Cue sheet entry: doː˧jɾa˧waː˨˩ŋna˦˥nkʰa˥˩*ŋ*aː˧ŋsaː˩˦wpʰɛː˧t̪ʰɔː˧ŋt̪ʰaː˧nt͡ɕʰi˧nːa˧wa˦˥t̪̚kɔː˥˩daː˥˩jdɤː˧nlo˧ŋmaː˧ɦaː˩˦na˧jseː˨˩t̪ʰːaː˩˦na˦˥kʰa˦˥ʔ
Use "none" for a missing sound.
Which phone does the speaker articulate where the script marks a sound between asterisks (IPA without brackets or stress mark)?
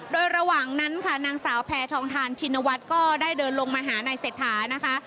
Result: n